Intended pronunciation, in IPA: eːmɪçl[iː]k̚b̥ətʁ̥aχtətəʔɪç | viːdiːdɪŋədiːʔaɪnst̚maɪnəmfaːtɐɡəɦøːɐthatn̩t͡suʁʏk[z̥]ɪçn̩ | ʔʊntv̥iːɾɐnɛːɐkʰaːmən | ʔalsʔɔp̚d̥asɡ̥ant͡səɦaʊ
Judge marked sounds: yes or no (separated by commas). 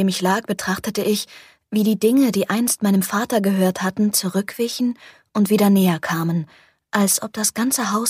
no, no